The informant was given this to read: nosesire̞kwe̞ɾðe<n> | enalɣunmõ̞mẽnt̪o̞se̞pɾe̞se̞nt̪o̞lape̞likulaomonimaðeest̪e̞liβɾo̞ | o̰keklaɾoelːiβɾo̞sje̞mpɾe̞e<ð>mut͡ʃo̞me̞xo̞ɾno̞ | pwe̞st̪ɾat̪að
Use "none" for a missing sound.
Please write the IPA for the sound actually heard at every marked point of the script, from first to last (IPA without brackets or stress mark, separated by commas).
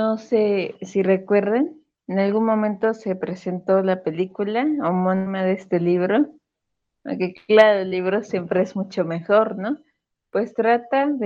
n, z